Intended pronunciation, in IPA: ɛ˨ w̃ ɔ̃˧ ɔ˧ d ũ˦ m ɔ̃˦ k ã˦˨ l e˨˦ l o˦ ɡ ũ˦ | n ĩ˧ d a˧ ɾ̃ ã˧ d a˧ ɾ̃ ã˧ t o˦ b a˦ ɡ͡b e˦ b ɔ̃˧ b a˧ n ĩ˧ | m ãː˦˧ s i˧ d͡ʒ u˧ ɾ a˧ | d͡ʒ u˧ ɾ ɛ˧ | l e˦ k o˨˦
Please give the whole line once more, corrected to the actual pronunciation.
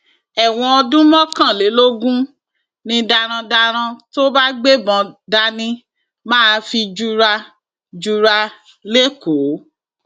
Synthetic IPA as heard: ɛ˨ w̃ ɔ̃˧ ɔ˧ d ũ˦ m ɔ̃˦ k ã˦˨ l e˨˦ l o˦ ɡ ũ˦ | n ĩ˧ d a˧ ɾ̃ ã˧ d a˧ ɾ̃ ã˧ t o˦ b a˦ ɡ͡b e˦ b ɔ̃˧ d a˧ n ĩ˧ | m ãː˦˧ f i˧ d͡ʒ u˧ ɾ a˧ | d͡ʒ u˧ ɾ a˧ | l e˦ k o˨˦